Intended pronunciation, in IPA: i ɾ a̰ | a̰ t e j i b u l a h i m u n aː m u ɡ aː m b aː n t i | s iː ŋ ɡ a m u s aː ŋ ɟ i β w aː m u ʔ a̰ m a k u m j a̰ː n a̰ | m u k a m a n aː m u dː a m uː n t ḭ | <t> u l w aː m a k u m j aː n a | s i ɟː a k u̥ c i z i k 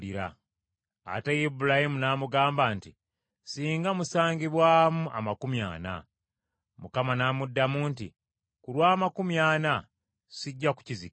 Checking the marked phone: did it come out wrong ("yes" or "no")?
yes